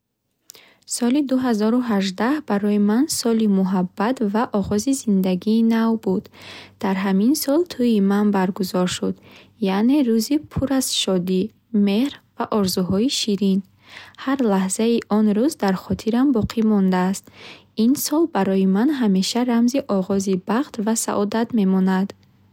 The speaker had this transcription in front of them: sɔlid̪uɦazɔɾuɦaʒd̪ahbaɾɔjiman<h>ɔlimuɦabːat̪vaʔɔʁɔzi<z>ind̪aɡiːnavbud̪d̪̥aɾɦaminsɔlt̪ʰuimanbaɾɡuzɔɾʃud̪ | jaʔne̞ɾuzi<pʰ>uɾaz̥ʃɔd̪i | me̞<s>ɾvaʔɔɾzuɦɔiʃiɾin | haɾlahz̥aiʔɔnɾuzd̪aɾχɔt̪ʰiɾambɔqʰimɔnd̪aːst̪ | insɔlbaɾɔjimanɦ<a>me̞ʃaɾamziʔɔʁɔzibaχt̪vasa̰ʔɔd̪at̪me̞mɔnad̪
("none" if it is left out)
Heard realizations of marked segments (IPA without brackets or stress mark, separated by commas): s, z, pʰ, h, a